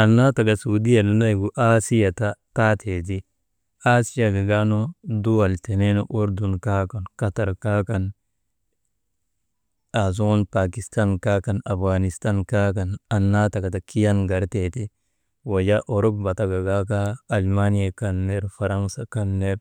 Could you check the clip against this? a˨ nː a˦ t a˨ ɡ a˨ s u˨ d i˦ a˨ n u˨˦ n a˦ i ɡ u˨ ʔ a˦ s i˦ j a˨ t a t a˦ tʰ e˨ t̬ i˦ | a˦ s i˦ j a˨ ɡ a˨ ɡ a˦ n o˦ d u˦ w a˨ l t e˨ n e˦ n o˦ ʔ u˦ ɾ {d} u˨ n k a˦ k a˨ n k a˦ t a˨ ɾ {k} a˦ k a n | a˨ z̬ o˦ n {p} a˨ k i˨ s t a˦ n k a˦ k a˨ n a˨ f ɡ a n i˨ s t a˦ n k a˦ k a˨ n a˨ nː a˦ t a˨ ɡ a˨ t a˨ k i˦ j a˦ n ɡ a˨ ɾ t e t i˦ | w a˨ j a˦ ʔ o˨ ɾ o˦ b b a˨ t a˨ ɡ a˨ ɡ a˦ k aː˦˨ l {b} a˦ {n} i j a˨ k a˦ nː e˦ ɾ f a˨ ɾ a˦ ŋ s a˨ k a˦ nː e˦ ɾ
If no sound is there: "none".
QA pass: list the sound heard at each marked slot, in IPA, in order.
d, k, p, m, n

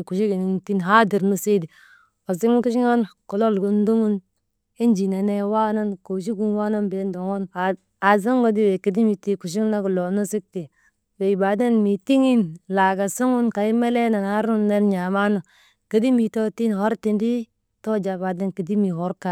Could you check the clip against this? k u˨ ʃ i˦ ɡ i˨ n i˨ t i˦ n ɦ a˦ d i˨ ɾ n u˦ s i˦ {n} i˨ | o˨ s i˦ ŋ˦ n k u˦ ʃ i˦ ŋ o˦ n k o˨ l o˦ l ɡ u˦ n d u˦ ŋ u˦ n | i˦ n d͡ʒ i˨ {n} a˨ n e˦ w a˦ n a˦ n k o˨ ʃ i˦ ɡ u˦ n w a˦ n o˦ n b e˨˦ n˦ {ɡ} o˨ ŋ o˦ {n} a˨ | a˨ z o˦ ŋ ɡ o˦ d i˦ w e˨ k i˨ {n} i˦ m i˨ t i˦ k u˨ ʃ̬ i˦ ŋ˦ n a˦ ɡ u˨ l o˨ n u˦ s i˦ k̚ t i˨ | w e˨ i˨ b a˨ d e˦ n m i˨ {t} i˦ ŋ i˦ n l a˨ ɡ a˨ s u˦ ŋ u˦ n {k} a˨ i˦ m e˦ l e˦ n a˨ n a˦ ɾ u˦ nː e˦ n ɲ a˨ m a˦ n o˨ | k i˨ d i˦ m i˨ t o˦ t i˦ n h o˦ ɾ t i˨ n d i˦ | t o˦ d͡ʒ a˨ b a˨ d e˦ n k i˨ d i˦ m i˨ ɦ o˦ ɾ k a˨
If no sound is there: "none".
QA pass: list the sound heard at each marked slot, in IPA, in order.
d, n, d, n, d, t, k

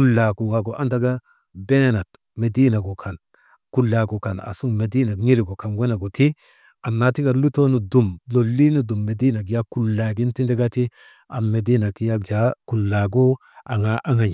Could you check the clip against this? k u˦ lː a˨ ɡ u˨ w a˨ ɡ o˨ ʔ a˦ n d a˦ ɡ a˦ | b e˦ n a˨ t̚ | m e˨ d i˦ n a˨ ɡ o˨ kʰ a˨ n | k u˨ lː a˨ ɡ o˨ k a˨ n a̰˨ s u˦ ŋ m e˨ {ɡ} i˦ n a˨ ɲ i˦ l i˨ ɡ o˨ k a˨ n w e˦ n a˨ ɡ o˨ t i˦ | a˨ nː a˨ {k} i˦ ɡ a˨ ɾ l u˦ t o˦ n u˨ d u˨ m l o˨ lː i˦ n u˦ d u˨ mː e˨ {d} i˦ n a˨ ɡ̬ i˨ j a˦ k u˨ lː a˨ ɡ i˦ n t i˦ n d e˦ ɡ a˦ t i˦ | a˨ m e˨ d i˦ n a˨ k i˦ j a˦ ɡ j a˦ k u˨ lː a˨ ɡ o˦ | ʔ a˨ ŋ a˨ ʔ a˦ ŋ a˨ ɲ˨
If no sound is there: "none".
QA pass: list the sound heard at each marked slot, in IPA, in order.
d, t, d

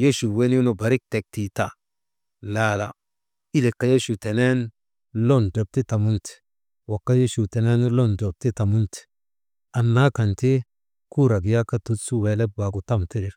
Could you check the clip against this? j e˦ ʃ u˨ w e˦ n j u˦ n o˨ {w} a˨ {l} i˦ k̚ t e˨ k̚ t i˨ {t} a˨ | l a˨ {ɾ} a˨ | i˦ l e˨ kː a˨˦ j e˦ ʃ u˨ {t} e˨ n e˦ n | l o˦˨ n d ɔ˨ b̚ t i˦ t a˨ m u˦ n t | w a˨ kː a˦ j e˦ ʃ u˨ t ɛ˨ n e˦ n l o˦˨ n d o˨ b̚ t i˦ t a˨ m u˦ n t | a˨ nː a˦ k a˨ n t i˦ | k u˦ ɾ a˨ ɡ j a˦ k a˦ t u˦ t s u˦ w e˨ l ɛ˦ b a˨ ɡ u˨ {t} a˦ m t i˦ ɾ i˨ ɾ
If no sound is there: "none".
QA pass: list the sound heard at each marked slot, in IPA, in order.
b, ɾ, t, l, t, t

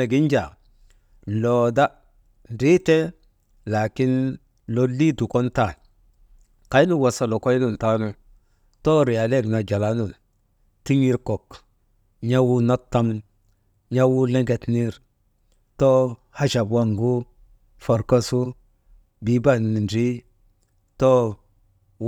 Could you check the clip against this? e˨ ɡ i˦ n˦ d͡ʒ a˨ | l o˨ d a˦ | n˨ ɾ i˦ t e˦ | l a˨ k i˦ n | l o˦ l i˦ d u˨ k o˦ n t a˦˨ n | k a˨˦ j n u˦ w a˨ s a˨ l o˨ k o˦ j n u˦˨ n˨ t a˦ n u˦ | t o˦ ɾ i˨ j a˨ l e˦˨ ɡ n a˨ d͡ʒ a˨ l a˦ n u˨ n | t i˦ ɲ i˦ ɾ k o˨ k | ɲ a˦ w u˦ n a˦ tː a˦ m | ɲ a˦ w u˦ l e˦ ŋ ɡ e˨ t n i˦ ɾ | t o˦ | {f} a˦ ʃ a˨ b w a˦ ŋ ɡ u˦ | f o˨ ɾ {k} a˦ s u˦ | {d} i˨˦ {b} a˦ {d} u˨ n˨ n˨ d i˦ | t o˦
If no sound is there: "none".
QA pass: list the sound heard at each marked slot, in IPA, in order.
h, k, b, b, n

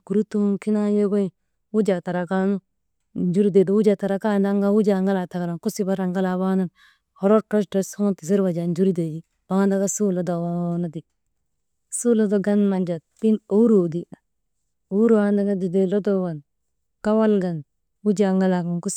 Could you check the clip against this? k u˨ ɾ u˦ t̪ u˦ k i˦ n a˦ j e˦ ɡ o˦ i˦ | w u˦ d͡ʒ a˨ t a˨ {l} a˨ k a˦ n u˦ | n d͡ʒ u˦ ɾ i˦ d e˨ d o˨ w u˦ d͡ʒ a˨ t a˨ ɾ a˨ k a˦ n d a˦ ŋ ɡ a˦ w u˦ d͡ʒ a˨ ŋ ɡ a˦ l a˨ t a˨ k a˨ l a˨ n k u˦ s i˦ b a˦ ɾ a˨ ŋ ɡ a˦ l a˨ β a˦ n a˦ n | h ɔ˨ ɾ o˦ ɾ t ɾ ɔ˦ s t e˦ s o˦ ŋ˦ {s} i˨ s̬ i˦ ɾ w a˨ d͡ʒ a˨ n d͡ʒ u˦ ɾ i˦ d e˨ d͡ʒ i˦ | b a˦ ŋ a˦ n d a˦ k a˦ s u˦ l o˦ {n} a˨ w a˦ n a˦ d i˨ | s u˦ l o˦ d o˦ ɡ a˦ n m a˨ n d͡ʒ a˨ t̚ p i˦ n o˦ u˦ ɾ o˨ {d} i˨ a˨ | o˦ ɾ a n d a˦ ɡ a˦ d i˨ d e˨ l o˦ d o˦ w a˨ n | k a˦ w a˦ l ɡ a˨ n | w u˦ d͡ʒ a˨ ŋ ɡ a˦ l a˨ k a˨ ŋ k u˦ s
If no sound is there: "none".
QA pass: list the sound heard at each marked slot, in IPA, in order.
ɾ, t, d, d

